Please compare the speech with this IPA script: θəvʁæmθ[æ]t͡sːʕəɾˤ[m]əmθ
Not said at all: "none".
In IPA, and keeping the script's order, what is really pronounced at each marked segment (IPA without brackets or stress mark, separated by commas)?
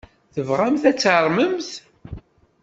æ, m